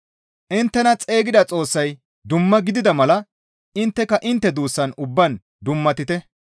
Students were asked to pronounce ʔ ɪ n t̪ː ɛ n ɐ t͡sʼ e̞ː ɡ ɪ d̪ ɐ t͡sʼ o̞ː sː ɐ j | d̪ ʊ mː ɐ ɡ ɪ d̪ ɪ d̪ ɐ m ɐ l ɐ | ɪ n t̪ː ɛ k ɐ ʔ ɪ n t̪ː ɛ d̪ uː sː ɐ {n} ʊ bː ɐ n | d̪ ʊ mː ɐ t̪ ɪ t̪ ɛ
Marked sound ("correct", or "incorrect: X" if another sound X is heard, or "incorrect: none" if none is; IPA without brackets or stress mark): correct